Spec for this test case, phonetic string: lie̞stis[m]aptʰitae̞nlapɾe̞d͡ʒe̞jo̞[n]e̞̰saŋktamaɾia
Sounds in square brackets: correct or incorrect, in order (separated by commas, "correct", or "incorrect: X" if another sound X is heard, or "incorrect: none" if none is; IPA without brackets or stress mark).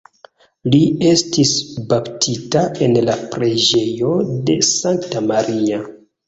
incorrect: b, incorrect: d